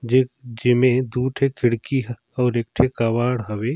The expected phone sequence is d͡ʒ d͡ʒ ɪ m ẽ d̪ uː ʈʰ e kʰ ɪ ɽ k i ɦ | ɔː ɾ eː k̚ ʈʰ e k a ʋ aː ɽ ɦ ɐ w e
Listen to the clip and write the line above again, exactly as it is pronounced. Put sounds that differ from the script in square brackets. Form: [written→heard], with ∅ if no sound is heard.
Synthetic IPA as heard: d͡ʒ d͡ʒ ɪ m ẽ d̪ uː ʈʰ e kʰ ɪ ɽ k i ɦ | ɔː ɾ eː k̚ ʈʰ e k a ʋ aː ɽ ɦ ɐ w e